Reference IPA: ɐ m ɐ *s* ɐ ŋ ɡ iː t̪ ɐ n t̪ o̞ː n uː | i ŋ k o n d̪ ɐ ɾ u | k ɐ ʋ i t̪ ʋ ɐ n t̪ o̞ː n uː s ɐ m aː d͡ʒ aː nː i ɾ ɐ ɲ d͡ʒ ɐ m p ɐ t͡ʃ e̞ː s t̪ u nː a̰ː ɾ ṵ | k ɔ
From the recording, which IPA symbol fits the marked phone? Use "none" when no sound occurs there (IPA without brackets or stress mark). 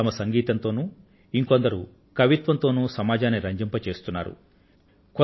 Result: s